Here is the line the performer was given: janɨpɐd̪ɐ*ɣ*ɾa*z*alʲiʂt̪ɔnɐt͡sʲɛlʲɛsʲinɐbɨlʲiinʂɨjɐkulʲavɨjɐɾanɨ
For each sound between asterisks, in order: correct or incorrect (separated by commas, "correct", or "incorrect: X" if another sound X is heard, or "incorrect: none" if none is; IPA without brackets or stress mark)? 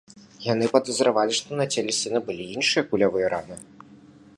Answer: incorrect: z, incorrect: v